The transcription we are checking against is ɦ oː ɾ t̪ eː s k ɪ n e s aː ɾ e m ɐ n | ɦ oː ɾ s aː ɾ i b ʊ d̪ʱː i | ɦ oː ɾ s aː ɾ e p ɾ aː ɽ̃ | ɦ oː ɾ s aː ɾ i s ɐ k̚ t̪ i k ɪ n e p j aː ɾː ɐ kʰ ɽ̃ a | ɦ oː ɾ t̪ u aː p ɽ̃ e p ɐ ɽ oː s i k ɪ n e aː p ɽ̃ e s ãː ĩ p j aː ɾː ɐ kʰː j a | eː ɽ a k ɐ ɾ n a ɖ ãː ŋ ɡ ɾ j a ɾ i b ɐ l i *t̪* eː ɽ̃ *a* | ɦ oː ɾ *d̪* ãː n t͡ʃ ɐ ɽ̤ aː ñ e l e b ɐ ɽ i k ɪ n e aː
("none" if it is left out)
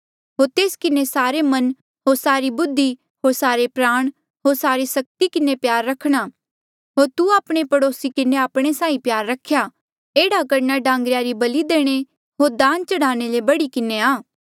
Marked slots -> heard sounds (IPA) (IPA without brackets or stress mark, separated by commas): d̪, e, d̪